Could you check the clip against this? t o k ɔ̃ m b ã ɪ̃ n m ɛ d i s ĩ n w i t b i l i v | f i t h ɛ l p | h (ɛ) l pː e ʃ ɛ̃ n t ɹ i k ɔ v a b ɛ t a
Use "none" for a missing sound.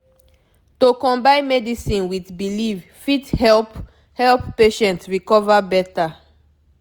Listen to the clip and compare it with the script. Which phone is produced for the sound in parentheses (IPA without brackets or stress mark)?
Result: ɛ